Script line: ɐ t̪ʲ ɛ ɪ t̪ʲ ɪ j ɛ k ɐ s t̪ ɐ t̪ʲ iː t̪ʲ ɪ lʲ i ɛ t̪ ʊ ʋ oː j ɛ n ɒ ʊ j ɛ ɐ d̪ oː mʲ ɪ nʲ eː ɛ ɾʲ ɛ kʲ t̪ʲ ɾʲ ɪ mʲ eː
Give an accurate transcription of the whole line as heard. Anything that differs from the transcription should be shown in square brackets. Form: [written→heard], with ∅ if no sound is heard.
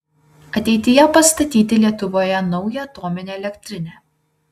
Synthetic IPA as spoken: ɐ t̪ʲ ɛ ɪ t̪ʲ ɪ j ɛ [k→p] ɐ s t̪ ɐ t̪ʲ iː t̪ʲ ɪ lʲ i ɛ t̪ ʊ ʋ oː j ɛ n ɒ ʊ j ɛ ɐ [d̪→t̪] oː mʲ ɪ nʲ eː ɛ [ɾʲ→lʲ] ɛ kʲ t̪ʲ ɾʲ ɪ [mʲ→nʲ] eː